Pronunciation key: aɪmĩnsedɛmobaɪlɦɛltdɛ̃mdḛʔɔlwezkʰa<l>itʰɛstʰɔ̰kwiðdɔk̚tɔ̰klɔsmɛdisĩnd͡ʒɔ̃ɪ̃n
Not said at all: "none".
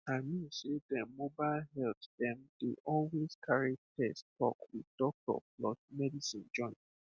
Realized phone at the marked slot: ɹ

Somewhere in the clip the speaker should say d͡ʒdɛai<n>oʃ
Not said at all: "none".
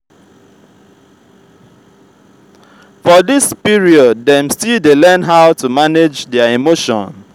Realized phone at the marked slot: m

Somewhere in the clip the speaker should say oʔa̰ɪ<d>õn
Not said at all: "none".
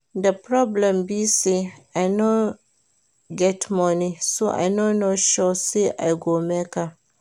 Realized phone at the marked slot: n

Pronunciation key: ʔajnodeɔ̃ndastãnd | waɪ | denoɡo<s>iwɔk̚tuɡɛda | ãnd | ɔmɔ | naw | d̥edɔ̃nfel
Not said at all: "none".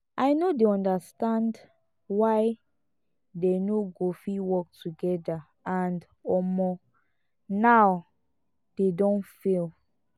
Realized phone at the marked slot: f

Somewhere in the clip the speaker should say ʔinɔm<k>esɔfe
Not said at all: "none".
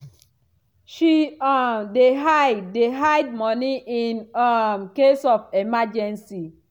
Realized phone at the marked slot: k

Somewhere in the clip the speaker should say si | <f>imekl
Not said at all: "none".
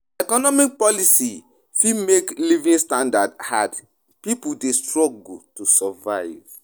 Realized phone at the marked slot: f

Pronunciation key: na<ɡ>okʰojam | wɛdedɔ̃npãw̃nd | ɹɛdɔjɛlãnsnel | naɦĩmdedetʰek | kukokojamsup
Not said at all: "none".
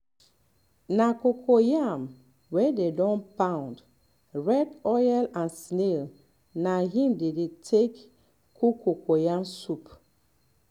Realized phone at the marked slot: k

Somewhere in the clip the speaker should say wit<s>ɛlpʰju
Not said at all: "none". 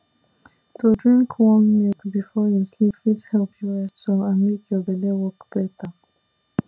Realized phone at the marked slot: h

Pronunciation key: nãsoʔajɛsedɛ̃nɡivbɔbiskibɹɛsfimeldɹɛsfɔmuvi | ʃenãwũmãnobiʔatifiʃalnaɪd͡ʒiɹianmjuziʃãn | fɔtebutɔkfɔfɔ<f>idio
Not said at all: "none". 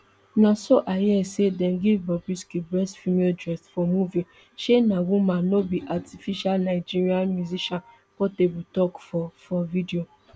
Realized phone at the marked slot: v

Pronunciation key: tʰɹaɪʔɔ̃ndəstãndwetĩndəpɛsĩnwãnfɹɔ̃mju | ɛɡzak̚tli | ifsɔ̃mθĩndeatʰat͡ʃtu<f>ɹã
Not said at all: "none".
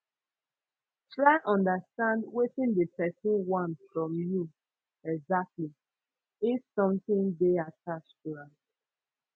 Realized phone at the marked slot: none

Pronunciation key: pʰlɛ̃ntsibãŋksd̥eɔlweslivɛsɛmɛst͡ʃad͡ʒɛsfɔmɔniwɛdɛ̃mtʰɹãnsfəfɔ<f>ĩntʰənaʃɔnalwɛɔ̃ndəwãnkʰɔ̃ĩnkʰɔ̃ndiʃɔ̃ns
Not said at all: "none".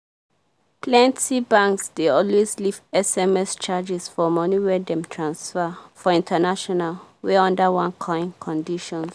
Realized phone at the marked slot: none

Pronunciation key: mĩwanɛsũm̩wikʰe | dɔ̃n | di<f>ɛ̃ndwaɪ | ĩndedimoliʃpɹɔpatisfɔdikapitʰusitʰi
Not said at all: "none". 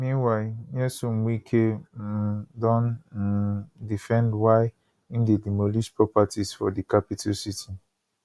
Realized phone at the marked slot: f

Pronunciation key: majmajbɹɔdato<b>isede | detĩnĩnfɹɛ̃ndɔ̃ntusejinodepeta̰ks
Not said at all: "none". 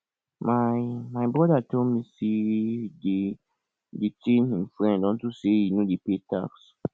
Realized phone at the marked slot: m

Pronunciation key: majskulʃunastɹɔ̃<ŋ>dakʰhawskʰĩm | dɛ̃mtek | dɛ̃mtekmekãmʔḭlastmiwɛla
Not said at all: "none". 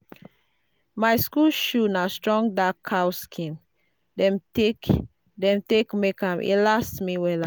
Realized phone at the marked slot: ŋ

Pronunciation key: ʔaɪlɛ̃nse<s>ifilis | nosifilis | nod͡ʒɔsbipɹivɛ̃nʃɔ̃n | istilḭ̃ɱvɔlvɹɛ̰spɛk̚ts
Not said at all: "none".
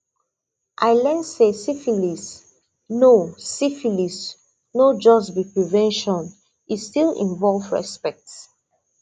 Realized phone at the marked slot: s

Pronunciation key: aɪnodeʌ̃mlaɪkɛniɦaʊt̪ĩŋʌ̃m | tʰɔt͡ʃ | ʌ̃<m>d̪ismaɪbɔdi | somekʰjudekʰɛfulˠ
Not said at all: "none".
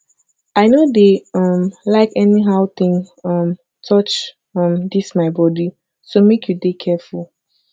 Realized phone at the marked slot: m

